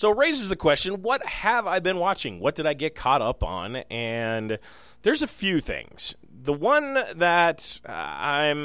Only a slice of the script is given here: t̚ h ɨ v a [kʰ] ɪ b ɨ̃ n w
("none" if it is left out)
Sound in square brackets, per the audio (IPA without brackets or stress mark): none